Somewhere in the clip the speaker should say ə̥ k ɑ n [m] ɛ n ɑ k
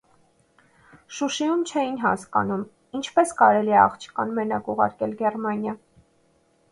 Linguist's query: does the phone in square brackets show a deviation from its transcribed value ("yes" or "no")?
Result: no